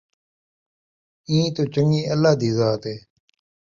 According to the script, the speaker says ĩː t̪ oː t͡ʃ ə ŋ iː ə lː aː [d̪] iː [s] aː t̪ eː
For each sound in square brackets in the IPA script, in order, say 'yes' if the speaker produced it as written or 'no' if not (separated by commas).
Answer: yes, no